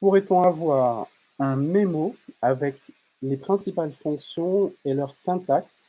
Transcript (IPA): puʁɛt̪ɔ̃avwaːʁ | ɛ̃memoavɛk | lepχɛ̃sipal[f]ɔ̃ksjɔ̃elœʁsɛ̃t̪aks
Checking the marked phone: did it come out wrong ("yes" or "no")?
no